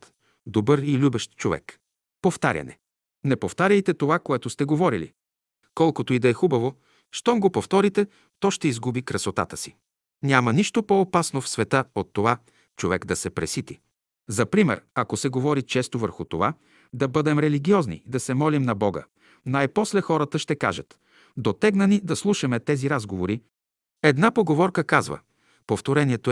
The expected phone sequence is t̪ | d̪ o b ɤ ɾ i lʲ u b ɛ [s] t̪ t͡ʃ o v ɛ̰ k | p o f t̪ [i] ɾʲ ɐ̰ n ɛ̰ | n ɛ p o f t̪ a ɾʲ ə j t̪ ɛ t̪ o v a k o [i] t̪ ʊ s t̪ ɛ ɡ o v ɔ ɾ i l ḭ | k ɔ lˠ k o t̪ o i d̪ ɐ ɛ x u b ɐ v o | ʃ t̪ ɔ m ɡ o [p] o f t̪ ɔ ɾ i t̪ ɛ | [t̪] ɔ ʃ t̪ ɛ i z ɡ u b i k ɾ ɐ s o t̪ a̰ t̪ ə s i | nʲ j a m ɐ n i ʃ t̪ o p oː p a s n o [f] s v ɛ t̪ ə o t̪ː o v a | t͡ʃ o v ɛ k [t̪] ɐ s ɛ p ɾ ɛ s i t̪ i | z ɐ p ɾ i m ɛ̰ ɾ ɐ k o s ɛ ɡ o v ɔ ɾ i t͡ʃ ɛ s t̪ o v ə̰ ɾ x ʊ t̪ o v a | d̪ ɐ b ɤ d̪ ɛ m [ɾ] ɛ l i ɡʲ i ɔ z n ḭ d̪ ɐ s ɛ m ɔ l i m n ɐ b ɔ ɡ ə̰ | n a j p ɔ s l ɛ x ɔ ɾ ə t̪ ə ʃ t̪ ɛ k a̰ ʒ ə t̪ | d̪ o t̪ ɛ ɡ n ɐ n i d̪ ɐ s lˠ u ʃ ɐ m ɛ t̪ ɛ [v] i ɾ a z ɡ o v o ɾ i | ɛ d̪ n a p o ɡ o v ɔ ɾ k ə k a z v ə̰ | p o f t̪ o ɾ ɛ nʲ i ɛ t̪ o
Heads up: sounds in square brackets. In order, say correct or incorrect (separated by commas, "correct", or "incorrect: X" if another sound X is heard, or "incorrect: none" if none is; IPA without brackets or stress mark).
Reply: incorrect: ʃ, incorrect: a, incorrect: ɛ, correct, correct, correct, incorrect: d̪, correct, incorrect: z